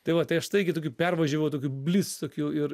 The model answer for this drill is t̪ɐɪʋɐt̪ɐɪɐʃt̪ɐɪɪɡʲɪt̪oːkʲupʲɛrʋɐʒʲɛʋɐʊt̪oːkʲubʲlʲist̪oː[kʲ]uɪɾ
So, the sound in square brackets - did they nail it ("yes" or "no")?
yes